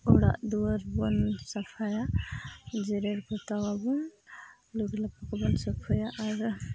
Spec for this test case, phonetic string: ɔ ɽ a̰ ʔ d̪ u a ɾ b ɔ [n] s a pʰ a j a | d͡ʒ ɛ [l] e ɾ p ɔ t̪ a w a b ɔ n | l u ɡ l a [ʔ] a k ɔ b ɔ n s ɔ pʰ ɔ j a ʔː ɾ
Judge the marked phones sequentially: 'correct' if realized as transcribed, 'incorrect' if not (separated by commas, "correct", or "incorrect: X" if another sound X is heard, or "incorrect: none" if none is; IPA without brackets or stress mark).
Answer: correct, incorrect: ɾ, incorrect: p